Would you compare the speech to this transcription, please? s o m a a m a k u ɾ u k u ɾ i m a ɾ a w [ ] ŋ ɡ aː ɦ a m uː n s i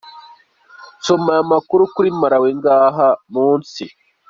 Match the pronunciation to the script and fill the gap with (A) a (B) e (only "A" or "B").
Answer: B